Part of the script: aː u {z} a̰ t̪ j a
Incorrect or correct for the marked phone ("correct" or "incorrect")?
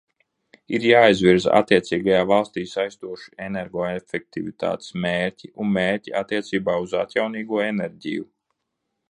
correct